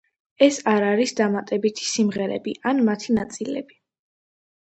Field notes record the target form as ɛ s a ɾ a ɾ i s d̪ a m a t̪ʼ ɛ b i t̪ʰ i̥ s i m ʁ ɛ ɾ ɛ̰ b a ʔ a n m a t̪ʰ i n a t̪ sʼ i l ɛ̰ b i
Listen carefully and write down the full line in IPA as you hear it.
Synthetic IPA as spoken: ɛ s a ɾ a ɾ i s d̪ a m a t̪ʼ ɛ b i t̪ʰ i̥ s i m ʁ ɛ ɾ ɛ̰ b i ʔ a n m a t̪ʰ i n a t̪ sʼ i l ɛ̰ b i